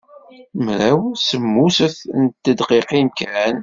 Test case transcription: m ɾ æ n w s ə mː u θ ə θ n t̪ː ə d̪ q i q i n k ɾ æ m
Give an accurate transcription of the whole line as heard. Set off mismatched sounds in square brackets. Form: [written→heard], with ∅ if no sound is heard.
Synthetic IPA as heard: m ɾ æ [n→∅] w s ə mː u [θ→s] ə θ n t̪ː ə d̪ q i q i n k ɾ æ [m→n]